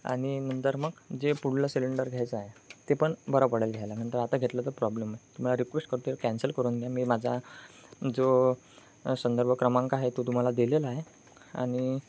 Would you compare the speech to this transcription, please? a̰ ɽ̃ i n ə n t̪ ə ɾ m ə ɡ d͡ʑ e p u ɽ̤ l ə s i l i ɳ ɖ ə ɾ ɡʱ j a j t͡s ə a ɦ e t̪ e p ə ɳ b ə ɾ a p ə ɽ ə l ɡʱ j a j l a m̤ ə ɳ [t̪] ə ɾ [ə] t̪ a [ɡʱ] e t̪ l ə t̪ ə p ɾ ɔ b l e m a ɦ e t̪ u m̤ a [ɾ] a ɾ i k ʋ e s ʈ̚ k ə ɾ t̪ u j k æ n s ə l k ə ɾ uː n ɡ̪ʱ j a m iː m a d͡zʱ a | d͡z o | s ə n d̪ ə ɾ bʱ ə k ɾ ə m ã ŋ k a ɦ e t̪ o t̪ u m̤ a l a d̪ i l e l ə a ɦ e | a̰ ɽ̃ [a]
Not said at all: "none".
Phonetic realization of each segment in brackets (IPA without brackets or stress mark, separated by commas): t̪, a, ɡʱ, l, i